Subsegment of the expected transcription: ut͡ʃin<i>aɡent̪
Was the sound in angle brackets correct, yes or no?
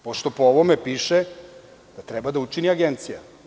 yes